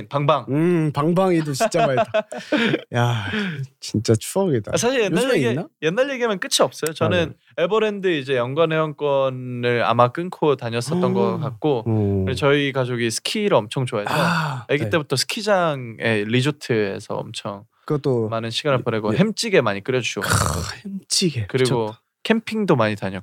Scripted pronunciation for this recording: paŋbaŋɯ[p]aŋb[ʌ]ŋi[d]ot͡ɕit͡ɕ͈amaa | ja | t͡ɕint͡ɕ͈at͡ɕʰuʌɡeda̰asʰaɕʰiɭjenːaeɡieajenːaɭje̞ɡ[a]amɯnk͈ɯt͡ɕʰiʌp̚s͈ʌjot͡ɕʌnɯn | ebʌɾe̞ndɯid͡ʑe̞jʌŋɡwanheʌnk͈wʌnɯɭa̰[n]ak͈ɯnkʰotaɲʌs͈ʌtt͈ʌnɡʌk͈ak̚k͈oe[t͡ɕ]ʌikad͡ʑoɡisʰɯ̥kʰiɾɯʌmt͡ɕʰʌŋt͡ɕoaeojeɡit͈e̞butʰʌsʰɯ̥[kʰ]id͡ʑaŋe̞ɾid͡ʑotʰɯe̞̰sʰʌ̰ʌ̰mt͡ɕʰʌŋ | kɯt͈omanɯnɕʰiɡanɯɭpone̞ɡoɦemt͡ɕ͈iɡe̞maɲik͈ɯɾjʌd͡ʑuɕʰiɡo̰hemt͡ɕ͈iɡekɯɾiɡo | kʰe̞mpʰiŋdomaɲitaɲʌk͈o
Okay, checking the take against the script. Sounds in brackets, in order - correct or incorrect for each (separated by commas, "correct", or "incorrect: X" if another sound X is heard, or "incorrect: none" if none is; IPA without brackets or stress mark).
correct, incorrect: a, correct, incorrect: i, incorrect: m, correct, correct